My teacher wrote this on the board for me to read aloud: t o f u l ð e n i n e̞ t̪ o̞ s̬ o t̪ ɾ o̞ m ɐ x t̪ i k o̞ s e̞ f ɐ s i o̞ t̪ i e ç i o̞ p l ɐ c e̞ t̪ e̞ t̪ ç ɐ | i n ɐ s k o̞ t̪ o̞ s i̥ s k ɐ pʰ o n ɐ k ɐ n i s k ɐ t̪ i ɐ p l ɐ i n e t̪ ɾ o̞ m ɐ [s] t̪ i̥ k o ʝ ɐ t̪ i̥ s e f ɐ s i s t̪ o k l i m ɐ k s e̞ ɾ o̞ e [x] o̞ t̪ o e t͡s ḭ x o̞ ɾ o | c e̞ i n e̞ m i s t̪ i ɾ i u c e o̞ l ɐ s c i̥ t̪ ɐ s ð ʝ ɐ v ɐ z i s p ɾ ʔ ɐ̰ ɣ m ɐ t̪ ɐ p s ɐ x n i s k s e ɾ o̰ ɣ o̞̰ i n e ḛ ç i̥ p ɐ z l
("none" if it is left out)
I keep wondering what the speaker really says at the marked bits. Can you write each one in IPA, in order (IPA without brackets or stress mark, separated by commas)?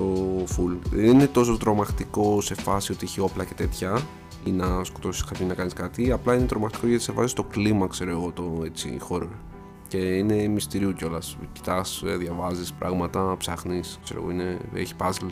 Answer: x, ɣ